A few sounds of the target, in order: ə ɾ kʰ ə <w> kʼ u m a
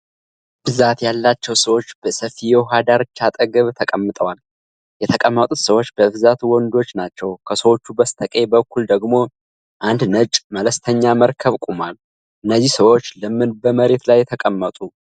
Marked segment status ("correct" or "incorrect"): incorrect